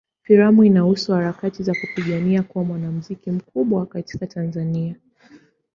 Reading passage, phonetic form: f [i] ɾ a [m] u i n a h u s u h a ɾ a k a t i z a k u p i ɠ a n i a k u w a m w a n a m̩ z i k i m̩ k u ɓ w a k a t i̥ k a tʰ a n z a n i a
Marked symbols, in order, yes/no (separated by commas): yes, yes